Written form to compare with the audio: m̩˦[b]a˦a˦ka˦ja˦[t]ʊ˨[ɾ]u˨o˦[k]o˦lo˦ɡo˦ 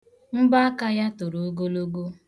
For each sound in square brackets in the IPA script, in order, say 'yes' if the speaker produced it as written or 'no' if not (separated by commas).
yes, yes, yes, no